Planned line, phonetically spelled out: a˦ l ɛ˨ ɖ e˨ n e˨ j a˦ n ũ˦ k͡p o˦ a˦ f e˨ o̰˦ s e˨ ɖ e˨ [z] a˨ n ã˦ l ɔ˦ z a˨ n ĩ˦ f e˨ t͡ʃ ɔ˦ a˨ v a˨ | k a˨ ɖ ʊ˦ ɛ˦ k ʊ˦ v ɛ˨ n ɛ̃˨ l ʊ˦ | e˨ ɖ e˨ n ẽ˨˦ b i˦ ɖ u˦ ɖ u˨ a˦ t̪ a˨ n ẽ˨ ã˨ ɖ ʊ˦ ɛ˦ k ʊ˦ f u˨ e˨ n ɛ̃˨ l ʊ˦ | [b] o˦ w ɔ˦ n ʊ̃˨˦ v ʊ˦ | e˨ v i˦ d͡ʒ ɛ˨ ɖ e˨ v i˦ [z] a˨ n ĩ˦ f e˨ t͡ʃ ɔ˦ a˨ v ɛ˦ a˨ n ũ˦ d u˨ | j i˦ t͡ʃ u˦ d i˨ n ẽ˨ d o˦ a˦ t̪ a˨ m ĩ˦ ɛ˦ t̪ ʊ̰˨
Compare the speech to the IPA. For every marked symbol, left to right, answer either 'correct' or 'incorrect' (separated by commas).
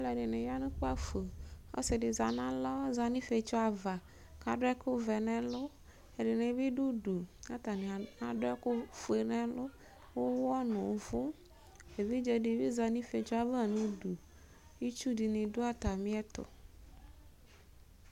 correct, incorrect, correct